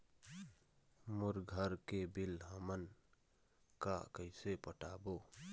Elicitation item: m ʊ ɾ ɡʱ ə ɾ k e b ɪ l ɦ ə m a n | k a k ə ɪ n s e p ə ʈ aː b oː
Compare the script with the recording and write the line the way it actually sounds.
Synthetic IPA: m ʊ ɾ ɡʱ ə ɾ k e b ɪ l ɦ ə m ə n | k a k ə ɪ s e p ə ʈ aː b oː